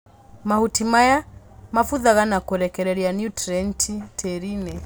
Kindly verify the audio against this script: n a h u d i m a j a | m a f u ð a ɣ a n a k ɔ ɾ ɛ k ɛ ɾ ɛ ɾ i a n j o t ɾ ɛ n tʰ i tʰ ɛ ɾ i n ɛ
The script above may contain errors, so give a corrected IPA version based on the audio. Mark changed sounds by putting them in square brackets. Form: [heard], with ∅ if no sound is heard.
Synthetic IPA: [m] a h u [t] i m a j a | m a f u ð a ɣ a n a k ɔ ɾ ɛ k ɛ ɾ ɛ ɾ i a n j [u] t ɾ ɛ n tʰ i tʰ ɛ ɾ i n ɛ

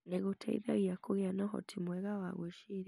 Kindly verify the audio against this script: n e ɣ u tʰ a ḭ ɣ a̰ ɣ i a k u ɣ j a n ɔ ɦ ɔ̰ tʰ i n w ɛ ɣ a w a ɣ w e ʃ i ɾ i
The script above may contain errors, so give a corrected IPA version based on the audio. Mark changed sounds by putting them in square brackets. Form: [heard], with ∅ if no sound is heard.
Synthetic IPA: n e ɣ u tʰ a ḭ [ð] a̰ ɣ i a k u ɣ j a n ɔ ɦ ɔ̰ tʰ i [m] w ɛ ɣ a w a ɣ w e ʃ i ɾ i

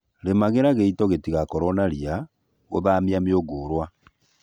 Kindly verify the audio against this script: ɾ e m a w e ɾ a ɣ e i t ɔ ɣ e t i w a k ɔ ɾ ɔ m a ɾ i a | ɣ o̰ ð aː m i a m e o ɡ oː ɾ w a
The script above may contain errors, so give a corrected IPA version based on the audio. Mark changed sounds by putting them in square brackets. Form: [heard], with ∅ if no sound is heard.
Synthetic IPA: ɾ e m a [ɣ] e ɾ a ɣ e i t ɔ ɣ e t i [ɣ] a k ɔ ɾ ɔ [n] a ɾ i a | ɣ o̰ ð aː m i a m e o ɡ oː ɾ w a

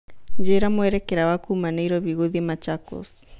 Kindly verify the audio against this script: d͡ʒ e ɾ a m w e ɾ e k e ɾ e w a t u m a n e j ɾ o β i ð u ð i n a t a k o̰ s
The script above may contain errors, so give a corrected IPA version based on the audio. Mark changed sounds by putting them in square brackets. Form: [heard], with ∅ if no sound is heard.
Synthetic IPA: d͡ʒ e ɾ a m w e ɾ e k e ɾ [a] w a [k] u m a n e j ɾ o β i [ɣ] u ð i [m] a [t͡ʃ] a k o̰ s

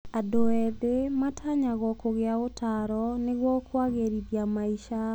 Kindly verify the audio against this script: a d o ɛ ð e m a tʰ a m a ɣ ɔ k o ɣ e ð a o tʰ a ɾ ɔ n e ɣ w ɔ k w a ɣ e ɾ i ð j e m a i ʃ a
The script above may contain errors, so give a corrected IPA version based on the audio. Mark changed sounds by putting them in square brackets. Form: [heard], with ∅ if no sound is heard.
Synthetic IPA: a d o ɛ ð e m a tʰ a [ɲ] a ɣ ɔ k o ɣ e [∅] a o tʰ a ɾ ɔ n e ɣ w ɔ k w a ɣ e ɾ i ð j [a] m a i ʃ a

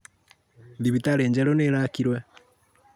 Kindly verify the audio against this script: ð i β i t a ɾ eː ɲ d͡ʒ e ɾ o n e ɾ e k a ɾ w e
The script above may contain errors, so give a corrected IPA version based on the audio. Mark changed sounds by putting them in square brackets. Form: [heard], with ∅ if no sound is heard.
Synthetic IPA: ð i β i t a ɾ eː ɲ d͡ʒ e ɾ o n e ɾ [a] k [i] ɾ w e

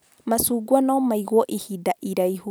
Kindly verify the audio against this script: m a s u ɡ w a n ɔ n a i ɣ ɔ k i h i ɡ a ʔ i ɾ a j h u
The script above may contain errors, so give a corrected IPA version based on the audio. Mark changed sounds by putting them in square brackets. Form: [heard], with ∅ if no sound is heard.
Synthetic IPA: m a s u ɡ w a n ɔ [m] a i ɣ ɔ [ʔ] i h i [d] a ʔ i ɾ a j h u

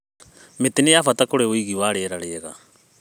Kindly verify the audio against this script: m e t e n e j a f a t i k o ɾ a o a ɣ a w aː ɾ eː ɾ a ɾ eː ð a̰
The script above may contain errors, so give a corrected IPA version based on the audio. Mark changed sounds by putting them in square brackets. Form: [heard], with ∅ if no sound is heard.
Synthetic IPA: m e t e n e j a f a t [a] k o ɾ [e] o [i] ɣ [i] w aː ɾ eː ɾ a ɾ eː [ɣ] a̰

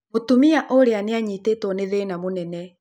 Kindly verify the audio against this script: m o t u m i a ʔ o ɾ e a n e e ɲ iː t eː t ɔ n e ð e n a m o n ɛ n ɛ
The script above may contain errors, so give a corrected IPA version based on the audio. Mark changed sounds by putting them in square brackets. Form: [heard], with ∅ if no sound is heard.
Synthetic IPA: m o t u m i a ʔ o ɾ e a n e [a] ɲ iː t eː t ɔ n e ð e n a m o n ɛ n ɛ

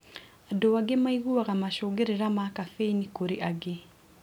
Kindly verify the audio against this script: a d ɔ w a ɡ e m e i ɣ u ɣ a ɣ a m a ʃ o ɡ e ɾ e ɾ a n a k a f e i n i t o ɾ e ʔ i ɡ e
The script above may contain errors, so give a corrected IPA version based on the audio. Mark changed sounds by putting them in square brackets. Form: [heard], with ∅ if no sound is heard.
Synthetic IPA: a d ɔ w a ɡ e m [a] i ɣ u [∅] a ɣ a m a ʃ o ɡ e ɾ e ɾ a [m] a k a f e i n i [k] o ɾ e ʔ [a] ɡ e

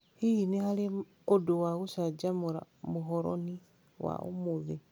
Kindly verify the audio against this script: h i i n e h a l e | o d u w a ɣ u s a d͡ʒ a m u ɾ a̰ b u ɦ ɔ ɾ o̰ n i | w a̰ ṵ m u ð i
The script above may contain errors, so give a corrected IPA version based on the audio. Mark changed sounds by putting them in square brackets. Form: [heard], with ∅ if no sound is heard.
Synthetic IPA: h i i n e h a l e | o d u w a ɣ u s a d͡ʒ a m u ɾ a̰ [m] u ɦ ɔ ɾ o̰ n i | w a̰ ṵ m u ð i

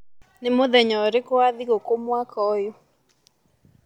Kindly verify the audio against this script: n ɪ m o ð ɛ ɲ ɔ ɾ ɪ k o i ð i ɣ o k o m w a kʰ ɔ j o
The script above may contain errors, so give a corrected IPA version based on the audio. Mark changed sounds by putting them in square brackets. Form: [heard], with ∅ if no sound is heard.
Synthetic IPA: n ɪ m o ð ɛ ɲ ɔ ɾ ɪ k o [a] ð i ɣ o k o m w a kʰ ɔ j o

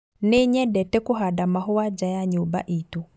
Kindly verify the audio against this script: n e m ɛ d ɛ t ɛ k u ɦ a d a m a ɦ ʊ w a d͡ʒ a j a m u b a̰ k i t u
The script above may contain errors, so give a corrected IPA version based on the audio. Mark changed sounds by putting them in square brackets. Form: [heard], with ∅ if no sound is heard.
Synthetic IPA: n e [ɲ] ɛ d ɛ t ɛ k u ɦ a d a m a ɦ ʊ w a d͡ʒ a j a [ɲ] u b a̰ [ʔ] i t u

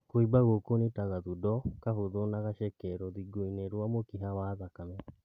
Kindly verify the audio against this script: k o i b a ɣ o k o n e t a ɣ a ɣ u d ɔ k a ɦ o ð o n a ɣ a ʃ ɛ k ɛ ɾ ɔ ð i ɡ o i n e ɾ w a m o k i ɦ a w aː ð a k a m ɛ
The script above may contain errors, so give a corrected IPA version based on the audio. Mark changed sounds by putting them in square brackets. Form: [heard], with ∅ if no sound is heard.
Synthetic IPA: k o i b a ɣ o k o n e t a ɣ a [ð] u d ɔ k a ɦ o ð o n a ɣ a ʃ ɛ k ɛ ɾ ɔ ð i ɡ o i n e ɾ w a m o k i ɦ a w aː ð a k a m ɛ

